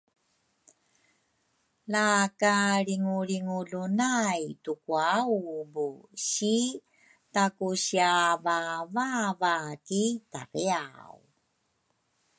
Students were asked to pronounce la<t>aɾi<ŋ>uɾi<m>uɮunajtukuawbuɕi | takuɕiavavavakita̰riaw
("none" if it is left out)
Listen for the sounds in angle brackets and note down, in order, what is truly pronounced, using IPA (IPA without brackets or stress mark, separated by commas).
k, ŋ, ŋ